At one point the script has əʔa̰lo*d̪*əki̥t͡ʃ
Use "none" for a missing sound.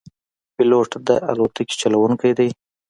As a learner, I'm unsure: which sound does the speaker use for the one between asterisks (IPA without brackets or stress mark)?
t̪